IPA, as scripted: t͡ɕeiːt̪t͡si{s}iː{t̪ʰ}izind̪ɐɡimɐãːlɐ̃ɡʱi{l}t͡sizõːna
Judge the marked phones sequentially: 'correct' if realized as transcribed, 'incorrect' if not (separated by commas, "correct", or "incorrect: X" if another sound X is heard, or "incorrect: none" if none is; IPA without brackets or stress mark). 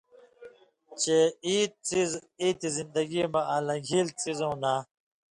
incorrect: z, incorrect: t̪, correct